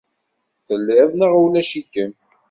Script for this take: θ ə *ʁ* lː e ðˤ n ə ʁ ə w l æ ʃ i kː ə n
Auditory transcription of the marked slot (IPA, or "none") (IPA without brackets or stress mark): none